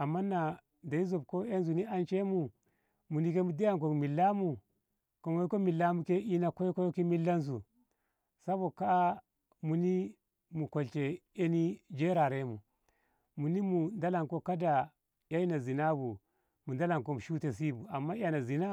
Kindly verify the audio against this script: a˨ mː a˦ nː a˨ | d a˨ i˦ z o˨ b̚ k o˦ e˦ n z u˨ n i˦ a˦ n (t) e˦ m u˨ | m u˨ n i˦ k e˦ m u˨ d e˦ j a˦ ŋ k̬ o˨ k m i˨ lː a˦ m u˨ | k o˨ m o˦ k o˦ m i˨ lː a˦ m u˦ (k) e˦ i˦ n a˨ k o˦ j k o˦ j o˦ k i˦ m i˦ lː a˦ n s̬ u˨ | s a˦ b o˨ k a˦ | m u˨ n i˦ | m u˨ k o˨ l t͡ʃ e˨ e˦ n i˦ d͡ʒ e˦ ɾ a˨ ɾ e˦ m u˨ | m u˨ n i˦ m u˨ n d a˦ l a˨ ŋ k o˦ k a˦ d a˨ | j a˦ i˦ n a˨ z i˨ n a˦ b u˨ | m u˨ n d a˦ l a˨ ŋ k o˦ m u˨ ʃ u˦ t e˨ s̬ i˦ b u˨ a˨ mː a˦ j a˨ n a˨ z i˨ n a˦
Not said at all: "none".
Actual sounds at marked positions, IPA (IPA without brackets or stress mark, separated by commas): t͡ʃ, k